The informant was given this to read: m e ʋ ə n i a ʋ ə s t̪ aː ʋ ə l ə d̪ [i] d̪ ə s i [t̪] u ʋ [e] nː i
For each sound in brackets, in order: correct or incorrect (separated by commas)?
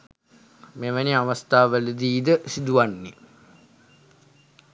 incorrect, incorrect, incorrect